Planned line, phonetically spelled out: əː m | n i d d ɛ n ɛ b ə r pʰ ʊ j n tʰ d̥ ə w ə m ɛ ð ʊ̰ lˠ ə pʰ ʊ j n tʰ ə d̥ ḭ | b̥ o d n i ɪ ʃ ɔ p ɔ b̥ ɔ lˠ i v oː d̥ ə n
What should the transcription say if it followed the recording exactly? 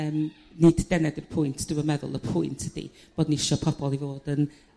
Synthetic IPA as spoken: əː m | n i d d ɛ n ɛ d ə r pʰ ʊ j n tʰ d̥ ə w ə m ɛ ð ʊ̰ lˠ ə pʰ ʊ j n tʰ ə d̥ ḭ | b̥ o d n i ɪ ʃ ɔ pʰ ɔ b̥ ɔ lˠ i v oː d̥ ə n